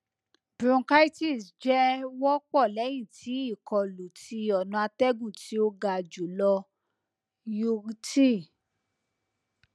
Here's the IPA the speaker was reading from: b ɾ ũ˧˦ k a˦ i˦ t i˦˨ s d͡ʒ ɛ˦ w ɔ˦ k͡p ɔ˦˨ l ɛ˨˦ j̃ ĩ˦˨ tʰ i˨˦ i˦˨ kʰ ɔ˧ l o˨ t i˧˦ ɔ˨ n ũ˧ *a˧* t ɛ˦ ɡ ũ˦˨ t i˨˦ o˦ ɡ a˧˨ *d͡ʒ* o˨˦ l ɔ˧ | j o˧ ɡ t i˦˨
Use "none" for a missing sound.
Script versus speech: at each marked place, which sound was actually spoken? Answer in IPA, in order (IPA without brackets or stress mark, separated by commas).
a˧, d͡ʒ